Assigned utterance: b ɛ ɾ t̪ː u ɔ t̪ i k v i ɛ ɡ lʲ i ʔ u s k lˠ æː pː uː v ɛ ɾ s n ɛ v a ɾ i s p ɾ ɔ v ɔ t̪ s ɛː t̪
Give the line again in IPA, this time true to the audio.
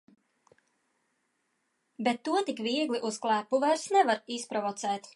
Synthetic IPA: b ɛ t̪ː u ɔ t̪ i k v i ɛ ɡ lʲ i ʔ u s k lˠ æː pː u v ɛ ɾ s n ɛ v a ɾ i s p ɾ ɔ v ɔ t̪ s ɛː t̪

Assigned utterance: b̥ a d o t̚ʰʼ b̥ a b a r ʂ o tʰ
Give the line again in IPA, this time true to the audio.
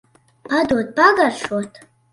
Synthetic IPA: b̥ a d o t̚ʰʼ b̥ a ɡ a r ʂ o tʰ

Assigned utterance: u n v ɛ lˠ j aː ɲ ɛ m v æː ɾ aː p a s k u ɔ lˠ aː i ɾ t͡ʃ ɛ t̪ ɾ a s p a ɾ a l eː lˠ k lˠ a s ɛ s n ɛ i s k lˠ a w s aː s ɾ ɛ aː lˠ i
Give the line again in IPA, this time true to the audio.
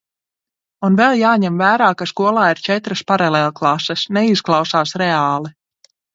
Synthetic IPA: u n v ɛ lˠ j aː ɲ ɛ m v æː ɾ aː k a s k u ɔ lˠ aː i ɾ t͡ʃ ɛ t̪ ɾ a s p a ɾ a l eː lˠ k lˠ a s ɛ s n ɛ i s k lˠ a w s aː s ɾ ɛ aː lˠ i

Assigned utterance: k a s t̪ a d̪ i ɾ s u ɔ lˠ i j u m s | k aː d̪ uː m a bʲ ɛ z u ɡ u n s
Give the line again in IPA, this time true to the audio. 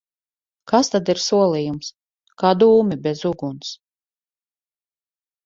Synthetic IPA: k a s t̪ a d̪ i ɾ s u ɔ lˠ i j u m s | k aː d̪ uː m i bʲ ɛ z u ɡ u n s

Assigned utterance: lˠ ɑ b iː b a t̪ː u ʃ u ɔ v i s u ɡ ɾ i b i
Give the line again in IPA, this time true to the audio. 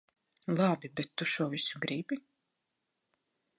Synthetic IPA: lˠ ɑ b i b ɛ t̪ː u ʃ u ɔ v i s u ɡ ɾ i b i

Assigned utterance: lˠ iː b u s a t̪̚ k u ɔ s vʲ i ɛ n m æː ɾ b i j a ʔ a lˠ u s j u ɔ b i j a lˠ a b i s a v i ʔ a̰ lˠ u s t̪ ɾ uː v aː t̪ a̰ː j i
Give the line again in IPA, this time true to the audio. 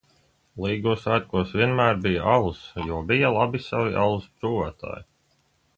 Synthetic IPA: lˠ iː ɡ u s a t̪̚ k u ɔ s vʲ i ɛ n m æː ɾ b i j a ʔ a lˠ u s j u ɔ b i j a lˠ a b i s a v i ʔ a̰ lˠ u s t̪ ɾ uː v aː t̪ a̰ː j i

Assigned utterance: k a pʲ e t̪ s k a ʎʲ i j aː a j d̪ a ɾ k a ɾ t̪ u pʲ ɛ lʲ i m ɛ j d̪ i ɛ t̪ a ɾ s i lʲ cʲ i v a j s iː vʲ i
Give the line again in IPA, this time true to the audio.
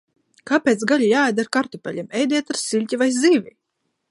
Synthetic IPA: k a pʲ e t̪ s ɡ a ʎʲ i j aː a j d̪ a ɾ k a ɾ t̪ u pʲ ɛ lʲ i m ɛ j d̪ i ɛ t̪ a ɾ s i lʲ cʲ i v a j z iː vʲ i

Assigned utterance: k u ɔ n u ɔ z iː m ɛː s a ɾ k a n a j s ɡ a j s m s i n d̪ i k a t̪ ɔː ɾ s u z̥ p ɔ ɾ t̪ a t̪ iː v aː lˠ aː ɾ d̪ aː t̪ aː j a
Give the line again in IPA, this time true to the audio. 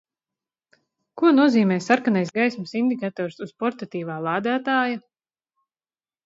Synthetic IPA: k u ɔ n u ɔ z iː m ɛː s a ɾ k a n a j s ɡ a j s m s i n d̪ i k a t̪ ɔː ɾ s u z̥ p ɔ ɾ t̪ a t̪ iː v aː lˠ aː d̪ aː t̪ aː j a

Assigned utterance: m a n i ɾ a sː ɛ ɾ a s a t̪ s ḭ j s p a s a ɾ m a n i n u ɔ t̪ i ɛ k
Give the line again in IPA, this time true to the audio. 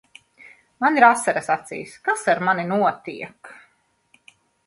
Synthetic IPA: m a n i ɾ a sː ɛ ɾ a s a t̪ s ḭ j s k a s a ɾ m a n i n u ɔ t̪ i ɛ k

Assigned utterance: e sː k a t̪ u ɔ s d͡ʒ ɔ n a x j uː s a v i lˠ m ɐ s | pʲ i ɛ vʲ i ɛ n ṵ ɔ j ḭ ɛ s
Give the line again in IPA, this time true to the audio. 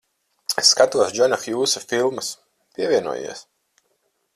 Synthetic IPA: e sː k a t̪ u ɔ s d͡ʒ ɔ n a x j uː s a f i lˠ m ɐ s | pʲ i ɛ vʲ i ɛ n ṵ ɔ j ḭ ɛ s

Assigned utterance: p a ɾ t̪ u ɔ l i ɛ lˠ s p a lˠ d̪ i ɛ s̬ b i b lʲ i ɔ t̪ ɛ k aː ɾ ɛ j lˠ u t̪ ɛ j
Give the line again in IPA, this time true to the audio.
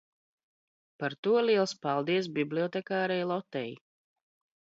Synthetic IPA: p a ɾ t̪ u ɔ l i ɛ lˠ s p a lˠ d̪ i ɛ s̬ b i b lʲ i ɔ t̪ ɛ k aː ɾ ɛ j lˠ ɔ t̪ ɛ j

